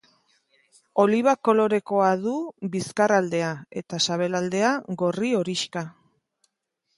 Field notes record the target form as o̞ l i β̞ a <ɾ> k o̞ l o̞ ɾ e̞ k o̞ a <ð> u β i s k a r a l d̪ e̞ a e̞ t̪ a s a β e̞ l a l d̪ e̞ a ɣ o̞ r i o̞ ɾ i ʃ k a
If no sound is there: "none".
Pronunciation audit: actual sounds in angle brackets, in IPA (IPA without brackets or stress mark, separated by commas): none, ð